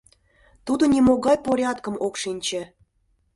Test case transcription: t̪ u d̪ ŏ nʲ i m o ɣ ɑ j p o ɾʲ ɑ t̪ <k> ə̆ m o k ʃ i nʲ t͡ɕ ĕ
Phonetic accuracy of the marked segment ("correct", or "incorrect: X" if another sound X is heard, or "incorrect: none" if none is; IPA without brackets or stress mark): correct